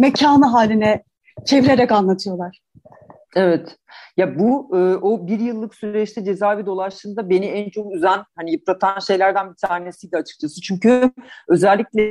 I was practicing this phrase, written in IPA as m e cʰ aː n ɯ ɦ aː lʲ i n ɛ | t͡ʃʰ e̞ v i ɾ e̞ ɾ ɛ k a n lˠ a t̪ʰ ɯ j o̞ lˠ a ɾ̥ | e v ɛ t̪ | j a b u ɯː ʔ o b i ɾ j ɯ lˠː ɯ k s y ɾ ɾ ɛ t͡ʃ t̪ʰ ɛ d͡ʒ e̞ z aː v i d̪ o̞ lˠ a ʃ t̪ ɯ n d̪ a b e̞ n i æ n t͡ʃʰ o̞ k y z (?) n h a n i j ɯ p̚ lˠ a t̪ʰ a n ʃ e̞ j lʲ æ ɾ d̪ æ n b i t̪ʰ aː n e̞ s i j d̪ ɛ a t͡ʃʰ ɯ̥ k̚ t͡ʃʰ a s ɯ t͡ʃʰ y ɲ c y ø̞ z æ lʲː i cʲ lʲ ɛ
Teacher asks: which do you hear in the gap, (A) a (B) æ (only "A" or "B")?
B